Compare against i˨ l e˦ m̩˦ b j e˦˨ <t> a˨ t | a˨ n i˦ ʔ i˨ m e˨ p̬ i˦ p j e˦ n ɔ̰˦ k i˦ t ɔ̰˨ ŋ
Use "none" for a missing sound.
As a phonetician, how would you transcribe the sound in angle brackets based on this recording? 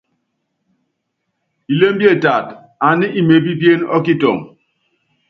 t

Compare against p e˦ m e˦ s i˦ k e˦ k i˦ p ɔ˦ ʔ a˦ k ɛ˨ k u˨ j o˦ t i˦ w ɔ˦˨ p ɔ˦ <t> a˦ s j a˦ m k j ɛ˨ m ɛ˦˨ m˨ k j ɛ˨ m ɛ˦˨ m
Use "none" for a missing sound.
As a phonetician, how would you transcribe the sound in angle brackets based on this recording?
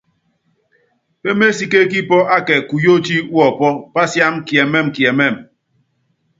p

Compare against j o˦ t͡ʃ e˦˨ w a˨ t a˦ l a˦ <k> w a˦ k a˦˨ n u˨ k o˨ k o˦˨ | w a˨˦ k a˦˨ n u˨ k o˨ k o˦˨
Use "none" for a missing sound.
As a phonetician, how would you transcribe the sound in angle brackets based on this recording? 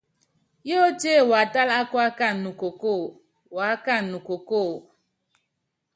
k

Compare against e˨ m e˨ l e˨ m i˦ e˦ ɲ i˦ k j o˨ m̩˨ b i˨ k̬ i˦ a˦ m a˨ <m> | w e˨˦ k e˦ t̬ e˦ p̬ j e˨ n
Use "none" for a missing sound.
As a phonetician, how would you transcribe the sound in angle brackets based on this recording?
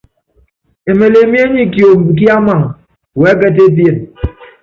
ŋ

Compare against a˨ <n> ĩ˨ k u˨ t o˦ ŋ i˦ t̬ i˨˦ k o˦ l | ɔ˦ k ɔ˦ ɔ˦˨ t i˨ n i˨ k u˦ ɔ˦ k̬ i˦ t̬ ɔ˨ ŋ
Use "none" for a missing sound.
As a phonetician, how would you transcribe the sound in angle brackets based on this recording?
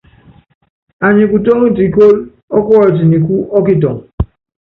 ɲ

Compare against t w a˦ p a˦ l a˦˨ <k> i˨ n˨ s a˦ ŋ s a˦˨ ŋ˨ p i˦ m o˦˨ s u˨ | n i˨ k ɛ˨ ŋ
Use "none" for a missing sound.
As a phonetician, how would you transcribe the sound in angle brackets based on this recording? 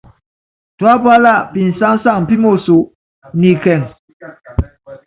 p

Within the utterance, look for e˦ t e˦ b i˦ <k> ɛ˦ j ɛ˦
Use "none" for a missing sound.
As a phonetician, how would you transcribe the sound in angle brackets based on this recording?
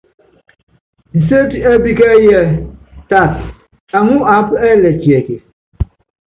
k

